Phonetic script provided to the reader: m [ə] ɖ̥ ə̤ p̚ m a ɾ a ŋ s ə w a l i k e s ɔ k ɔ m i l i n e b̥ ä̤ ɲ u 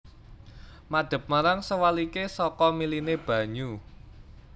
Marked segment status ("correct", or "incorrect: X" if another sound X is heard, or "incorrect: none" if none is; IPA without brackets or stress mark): incorrect: a